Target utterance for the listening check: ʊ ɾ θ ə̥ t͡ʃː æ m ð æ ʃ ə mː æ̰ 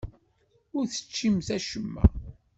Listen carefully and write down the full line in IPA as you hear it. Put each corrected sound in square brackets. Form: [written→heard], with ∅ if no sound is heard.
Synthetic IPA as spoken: ʊ ɾ θ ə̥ t͡ʃː [æ→i] m [ð→θ] æ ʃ ə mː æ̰